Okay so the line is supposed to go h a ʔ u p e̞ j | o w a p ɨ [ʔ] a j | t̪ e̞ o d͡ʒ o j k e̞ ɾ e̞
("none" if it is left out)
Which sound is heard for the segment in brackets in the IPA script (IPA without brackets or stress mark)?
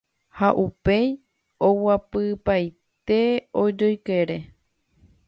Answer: p